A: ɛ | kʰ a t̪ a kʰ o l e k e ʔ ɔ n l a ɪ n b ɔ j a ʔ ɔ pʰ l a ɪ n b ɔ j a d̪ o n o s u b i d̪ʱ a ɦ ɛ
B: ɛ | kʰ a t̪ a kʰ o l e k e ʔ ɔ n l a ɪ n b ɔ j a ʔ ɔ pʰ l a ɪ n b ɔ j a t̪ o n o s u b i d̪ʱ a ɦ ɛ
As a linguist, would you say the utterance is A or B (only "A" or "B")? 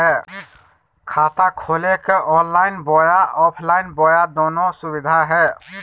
A